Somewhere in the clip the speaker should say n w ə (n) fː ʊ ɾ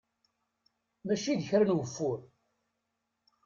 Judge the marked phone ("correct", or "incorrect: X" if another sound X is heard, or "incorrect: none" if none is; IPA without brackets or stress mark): incorrect: none